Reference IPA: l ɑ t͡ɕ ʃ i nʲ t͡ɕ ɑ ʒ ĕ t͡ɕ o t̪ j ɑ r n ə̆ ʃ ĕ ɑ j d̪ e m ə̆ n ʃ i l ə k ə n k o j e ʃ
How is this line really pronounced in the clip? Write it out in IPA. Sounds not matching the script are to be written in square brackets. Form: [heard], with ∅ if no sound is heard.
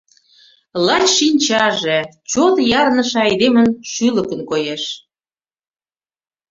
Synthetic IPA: l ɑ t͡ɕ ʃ i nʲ t͡ɕ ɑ ʒ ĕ t͡ɕ o t̪ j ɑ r n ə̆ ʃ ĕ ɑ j d̪ e m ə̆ n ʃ [y] l ə k ə n k o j e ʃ